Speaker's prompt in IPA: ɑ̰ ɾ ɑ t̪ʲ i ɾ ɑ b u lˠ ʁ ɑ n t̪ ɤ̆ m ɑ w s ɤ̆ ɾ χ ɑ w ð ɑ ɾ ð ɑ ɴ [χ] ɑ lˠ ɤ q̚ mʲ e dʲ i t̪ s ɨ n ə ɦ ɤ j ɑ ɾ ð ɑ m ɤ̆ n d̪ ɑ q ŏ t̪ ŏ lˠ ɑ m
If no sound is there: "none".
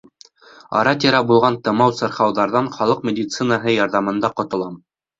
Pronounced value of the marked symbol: χ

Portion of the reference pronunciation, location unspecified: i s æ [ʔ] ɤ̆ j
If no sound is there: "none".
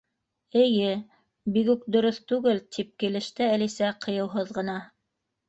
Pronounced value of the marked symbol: q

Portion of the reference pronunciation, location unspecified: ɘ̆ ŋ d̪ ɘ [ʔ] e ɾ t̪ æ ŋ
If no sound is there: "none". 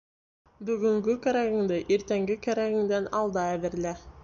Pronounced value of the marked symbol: ʔ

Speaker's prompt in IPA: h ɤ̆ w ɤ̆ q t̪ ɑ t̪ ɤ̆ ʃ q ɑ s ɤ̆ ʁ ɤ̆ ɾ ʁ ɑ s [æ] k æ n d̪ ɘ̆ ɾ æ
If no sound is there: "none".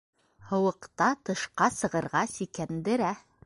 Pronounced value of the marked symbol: i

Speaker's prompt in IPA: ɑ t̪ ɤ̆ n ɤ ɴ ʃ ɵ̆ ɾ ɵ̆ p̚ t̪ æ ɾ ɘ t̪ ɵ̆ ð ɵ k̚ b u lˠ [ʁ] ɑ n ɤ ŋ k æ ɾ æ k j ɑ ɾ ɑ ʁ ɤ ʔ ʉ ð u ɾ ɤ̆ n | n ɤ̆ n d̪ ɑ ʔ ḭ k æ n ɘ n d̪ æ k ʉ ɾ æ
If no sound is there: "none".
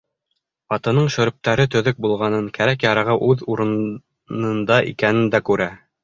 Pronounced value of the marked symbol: ʁ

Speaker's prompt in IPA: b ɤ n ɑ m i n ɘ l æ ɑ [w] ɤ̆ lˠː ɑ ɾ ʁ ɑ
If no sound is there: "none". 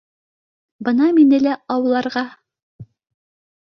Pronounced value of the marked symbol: w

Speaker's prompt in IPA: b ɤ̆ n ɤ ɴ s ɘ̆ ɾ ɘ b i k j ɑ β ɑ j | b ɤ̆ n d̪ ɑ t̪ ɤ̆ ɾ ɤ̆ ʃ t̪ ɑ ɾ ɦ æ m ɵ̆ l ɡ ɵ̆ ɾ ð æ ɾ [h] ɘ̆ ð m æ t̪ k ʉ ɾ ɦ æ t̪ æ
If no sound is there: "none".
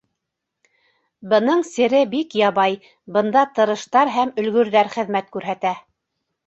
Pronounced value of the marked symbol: χ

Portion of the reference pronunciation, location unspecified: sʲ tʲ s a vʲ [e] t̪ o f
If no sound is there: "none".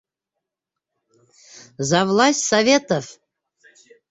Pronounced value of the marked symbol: e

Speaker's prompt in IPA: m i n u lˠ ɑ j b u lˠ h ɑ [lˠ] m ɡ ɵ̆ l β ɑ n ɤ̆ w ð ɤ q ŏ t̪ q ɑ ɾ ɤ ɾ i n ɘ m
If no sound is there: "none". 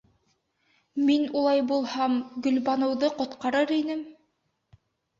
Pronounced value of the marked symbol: none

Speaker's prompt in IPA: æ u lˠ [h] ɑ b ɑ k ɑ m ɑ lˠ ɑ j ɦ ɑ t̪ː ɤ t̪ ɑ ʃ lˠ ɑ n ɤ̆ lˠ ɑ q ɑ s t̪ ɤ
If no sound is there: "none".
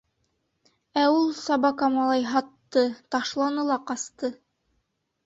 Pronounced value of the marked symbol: s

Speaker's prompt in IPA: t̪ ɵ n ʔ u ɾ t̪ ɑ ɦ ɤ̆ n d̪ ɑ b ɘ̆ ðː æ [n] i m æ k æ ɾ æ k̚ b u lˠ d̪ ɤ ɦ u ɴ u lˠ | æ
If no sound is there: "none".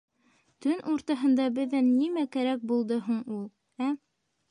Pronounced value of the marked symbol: nː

